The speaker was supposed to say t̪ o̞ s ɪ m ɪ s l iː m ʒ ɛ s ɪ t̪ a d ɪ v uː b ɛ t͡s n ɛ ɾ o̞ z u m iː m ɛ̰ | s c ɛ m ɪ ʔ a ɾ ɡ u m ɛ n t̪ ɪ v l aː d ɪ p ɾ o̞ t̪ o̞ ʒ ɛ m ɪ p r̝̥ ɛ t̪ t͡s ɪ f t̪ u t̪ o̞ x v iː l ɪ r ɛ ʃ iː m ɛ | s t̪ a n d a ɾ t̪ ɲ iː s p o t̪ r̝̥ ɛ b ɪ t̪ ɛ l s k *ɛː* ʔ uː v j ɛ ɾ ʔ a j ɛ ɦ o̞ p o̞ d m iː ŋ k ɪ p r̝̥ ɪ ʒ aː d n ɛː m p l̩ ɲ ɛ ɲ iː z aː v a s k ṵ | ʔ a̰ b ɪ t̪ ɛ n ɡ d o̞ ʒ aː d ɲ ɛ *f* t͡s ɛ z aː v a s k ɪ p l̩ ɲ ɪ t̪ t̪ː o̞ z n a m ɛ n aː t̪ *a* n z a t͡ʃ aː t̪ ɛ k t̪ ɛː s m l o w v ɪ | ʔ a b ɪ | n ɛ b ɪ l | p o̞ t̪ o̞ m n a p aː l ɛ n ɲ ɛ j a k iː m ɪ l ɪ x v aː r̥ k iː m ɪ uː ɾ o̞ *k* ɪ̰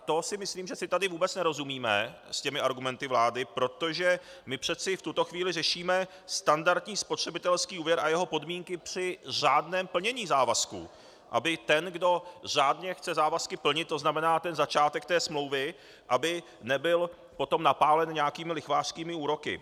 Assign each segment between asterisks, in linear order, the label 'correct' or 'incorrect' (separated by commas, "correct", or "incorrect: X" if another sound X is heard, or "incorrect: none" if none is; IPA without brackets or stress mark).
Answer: incorrect: iː, incorrect: x, incorrect: ɛ, correct